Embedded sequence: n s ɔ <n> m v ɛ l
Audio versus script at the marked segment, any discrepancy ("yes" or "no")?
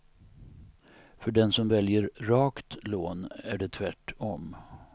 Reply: yes